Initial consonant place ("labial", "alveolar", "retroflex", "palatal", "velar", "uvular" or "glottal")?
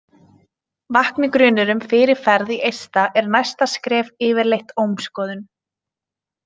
labial